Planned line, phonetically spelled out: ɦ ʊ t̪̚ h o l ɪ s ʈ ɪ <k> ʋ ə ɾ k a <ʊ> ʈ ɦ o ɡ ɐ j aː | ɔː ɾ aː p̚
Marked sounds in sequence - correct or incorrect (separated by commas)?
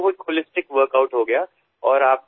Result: correct, correct